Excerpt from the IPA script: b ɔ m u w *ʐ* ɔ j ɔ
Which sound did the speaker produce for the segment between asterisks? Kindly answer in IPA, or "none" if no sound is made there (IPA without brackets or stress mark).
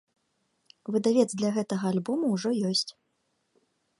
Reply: ʐ